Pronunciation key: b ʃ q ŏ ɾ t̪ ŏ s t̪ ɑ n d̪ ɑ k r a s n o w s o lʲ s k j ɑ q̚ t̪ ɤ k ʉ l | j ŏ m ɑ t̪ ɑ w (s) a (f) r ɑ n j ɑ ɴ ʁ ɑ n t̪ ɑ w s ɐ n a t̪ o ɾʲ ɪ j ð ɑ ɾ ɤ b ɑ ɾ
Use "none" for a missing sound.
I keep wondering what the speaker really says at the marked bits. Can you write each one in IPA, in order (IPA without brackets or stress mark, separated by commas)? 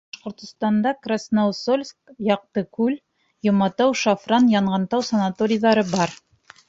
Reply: ʃ, f